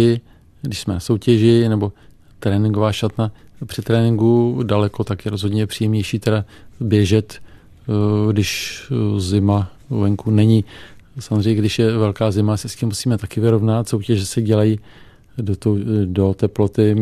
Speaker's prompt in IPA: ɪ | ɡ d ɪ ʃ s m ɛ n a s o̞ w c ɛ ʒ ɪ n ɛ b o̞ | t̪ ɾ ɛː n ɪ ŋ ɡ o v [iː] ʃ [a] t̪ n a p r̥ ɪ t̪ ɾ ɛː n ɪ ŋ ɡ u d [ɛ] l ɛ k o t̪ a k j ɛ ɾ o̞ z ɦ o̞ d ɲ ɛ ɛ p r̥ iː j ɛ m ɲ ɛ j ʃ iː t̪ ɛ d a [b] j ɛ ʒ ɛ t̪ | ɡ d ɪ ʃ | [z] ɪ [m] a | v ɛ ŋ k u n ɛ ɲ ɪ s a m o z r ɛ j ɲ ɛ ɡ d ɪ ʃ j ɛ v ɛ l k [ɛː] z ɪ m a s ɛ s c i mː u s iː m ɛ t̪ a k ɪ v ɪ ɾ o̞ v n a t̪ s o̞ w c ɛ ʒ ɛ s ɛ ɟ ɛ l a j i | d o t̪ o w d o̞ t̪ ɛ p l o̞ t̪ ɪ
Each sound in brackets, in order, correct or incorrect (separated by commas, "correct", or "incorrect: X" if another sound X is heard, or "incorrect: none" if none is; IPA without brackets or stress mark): incorrect: aː, correct, incorrect: a, correct, correct, correct, incorrect: aː